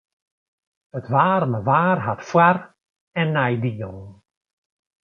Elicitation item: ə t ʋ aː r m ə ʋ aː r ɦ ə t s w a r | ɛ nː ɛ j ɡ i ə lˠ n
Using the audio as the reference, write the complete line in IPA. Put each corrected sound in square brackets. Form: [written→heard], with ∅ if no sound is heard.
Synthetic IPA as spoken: ə t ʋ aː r m ə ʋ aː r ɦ [ə→a] t [s→f] w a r | ɛ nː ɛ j [ɡ→d] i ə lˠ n

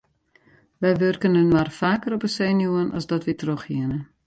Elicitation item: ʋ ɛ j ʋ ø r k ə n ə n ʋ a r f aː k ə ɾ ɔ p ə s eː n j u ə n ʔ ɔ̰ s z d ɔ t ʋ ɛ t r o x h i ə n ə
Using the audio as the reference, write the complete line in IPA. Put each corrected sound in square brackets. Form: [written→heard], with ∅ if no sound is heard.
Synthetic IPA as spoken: ʋ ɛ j ʋ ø r k ə n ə n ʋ a r f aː k ə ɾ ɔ p ə s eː n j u ə n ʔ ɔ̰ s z d ɔ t ʋ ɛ t r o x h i ə n ə

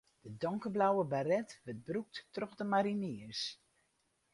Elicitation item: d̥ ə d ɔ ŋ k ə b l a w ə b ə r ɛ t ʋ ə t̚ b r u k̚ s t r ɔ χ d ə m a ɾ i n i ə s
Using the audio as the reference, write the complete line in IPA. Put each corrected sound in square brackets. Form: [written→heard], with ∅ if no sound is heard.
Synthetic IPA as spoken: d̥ ə d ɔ ŋ k ə b l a w ə b [ə→a] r ɛ t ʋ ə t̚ b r u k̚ [s→t] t r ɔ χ d ə m a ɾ i n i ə s

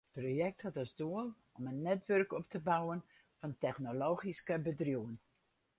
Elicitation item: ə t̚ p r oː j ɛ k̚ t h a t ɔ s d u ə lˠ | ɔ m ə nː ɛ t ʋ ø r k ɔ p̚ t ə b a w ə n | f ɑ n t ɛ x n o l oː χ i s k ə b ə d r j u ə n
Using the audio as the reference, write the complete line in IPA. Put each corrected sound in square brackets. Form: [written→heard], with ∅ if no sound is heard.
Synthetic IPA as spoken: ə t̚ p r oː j ɛ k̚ t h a t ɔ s d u ə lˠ | ɔ m ə nː ɛ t ʋ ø r k ɔ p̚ t ə b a w ə n | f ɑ n t ɛ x n o l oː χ i s k ə b ə d r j u ə n

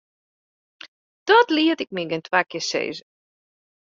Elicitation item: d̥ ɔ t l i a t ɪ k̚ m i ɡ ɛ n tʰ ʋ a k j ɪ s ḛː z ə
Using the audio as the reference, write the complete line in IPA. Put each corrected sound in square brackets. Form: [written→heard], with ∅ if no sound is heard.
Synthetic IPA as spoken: d̥ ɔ t l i [a→ə] t ɪ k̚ m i ɡ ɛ n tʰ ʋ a k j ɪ s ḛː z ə

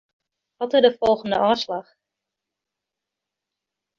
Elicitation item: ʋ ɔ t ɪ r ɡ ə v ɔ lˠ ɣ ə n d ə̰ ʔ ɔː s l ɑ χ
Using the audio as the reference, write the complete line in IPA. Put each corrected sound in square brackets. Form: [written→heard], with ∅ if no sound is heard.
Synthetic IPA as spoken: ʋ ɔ t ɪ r [ɡ→d] ə [v→f] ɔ lˠ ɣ ə n d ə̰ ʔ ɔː s l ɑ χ

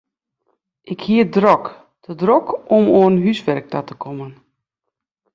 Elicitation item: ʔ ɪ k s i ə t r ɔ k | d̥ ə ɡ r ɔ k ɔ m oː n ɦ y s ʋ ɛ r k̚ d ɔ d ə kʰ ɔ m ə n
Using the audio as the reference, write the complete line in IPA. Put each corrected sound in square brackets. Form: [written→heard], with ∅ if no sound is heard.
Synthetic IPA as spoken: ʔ ɪ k [s→h] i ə [t→d] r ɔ k | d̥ ə [ɡ→d] r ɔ k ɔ m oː n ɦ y s ʋ ɛ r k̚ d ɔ [d→t] ə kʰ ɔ m ə n

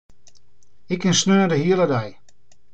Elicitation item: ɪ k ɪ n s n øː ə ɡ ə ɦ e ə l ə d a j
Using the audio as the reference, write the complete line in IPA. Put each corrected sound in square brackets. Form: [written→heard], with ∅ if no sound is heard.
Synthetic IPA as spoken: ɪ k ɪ n s n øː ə [ɡ→d] ə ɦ [e→i] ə l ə d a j

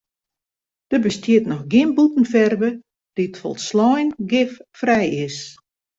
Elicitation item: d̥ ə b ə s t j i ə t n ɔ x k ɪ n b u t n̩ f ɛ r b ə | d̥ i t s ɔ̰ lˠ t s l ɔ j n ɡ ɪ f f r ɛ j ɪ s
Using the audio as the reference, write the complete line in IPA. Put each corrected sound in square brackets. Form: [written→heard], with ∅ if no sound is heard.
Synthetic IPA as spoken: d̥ ə b ə s t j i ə t n ɔ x [k→ɡ] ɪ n b u t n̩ f ɛ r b ə | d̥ i t [s→f] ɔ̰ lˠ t s l ɔ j n ɡ ɪ f f r ɛ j ɪ s

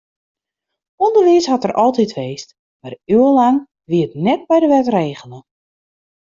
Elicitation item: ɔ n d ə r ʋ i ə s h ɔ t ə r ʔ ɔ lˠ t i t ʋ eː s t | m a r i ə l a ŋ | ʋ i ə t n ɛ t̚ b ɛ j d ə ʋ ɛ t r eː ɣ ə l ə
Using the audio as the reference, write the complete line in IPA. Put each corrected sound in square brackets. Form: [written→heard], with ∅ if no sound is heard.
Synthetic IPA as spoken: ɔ n d ə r ʋ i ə s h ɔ t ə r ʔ ɔ lˠ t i t ʋ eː s t | m a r [i→y] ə l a ŋ | ʋ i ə t n ɛ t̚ b ɛ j d ə ʋ ɛ t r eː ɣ ə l ə

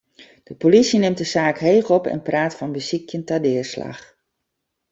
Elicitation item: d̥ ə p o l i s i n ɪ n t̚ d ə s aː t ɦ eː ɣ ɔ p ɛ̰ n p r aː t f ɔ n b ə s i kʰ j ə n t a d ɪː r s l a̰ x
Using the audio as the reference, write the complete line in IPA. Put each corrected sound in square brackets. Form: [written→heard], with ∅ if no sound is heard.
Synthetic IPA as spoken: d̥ ə p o l i s i n ɪ [n→m] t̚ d ə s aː [t→k] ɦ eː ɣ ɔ p ɛ̰ n p r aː t f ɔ n b ə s i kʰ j ə n t a d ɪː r s l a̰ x

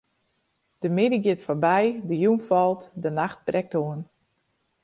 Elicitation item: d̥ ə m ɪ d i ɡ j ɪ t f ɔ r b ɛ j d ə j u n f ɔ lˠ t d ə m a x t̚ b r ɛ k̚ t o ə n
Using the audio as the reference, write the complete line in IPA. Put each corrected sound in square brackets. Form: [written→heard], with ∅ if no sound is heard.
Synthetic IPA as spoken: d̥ ə m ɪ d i ɡ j ɪ t f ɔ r b ɛ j d ə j u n f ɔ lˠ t d ə [m→n] a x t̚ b r ɛ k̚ t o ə n

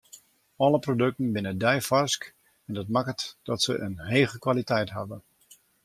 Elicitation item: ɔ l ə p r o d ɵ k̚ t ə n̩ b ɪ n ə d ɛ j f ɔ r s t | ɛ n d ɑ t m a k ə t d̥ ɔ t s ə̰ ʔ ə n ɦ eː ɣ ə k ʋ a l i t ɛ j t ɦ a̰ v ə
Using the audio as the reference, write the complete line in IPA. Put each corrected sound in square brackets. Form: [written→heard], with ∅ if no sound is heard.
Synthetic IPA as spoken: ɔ l ə p r o d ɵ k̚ t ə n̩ b ɪ n ə d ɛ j f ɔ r s [t→k] | ɛ n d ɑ t m a k ə t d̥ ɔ t s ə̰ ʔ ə n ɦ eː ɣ ə k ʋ a l i t ɛ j t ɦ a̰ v ə

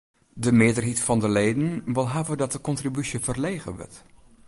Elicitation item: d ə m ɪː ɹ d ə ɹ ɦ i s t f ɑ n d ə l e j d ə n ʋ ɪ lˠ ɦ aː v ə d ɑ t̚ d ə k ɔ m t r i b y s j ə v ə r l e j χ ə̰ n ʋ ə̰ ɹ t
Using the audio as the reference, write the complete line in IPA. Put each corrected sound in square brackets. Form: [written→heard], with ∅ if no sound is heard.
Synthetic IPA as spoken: d ə m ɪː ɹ d ə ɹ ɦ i [s→∅] t f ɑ n d ə l e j d ə n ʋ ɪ lˠ ɦ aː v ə d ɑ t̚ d ə k ɔ [m→n] t r i b y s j ə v ə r l e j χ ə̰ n ʋ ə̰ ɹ t

